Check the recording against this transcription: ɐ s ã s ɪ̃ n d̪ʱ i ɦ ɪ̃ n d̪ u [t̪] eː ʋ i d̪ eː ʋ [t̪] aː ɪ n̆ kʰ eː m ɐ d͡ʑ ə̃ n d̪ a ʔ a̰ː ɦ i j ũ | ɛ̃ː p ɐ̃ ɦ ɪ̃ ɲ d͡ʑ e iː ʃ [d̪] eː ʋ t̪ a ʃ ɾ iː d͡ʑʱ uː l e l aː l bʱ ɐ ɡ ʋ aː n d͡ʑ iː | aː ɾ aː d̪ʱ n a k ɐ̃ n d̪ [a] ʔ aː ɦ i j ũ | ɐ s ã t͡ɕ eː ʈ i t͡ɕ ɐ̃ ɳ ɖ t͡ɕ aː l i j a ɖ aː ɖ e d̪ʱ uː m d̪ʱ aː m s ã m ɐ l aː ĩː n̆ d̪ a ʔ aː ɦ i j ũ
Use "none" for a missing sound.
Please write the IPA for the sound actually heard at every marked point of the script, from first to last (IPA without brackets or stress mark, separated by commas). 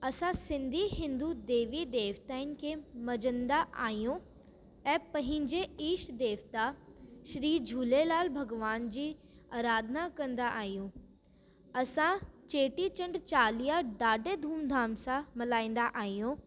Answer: d̪, t̪, d̪, a